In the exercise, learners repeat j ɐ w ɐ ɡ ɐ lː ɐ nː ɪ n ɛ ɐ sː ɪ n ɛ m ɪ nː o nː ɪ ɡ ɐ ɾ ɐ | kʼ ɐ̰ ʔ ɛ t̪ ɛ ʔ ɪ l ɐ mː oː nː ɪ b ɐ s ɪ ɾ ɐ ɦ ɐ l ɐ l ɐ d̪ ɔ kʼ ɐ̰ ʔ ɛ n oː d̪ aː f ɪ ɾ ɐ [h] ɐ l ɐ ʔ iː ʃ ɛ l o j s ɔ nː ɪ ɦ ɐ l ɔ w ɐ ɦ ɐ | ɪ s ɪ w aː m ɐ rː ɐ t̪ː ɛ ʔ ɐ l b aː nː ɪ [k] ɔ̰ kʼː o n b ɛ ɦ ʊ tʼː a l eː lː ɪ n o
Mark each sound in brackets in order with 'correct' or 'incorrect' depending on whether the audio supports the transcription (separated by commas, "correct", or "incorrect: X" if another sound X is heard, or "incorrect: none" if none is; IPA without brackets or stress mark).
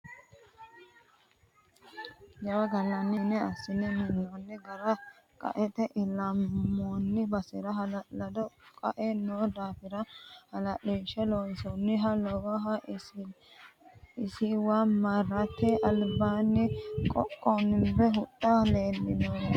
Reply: correct, incorrect: kʼ